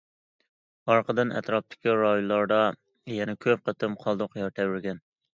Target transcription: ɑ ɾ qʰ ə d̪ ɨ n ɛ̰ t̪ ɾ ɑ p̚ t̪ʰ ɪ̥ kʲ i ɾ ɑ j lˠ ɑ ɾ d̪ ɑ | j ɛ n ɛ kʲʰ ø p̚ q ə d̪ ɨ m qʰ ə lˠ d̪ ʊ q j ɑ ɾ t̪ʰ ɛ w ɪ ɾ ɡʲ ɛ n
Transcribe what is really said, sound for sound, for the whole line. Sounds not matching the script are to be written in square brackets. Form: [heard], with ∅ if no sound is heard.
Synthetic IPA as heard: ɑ ɾ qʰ ə d̪ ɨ n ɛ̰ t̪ ɾ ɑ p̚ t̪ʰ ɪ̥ kʲ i ɾ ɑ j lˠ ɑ ɾ d̪ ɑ | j ɛ n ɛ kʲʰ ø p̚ q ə [t̪] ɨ m qʰ [ɑ] lˠ d̪ ʊ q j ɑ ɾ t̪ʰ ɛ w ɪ ɾ ɡʲ ɛ n